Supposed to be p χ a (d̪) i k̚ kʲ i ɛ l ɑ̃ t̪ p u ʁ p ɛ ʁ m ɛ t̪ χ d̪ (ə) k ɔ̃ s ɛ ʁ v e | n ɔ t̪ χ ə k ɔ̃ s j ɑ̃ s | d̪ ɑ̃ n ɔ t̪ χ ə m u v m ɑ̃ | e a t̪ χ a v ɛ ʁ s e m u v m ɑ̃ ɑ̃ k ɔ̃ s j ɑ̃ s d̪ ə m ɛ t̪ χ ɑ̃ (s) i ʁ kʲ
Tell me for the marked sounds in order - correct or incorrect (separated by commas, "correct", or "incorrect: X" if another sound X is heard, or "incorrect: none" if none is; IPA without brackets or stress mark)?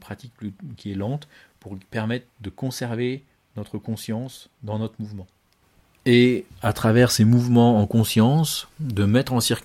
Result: incorrect: t̪, correct, correct